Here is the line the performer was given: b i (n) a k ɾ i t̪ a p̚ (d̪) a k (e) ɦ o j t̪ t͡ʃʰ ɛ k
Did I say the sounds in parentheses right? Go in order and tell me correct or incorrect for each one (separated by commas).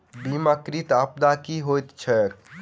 incorrect, correct, incorrect